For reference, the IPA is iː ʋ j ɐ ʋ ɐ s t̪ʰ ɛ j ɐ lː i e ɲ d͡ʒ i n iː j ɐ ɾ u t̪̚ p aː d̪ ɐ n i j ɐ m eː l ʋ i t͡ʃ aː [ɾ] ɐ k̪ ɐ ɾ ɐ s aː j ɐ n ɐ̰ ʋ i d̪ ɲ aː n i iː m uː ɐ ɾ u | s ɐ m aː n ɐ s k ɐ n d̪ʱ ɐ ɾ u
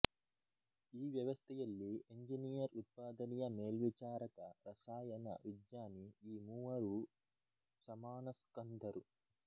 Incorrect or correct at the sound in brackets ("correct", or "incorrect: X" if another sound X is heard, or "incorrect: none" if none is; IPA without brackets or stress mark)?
correct